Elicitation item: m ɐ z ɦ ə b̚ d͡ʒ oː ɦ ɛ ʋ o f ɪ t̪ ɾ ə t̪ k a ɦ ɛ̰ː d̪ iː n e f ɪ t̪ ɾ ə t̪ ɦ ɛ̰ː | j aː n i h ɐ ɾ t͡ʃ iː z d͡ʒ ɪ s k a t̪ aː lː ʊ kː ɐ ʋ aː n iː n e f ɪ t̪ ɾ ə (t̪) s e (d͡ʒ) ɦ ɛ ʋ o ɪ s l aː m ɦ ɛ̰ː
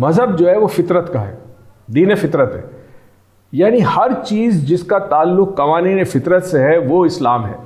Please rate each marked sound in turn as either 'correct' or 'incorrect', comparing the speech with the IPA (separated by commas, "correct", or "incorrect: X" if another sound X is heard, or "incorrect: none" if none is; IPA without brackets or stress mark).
correct, incorrect: none